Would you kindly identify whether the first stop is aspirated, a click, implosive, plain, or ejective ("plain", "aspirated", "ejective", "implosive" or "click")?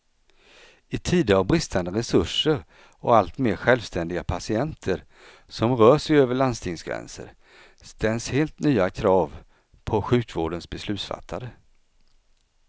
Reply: aspirated